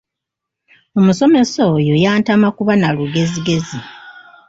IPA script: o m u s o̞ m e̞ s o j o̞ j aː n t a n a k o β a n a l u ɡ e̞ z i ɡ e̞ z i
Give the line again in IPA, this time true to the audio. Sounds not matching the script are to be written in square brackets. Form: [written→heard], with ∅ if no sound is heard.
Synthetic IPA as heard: o m u s o̞ m e̞ s o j o̞ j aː n t a [n→m] a k [o→u] β a n a l u ɡ e̞ z i ɡ e̞ z i